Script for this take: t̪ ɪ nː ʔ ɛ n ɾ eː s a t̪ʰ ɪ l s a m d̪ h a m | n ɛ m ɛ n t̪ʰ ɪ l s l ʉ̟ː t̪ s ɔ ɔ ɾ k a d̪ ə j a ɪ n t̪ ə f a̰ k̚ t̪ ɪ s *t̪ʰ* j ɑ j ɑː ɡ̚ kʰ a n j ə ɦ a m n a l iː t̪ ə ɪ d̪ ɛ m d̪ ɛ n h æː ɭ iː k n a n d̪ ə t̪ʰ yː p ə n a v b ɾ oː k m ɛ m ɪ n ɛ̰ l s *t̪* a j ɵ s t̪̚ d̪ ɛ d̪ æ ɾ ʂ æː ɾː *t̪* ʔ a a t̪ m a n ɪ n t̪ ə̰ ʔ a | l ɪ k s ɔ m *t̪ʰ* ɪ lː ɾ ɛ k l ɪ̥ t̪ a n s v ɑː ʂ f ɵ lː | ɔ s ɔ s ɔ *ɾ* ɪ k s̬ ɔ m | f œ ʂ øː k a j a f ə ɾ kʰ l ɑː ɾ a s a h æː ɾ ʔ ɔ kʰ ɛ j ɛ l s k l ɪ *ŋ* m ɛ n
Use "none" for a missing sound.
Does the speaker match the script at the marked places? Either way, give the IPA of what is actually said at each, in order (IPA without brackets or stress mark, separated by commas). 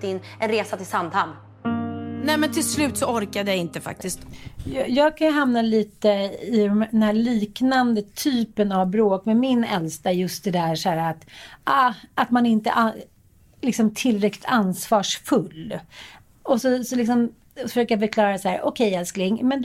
t̪, t̪, t̪, t̪ʰ, l, ŋ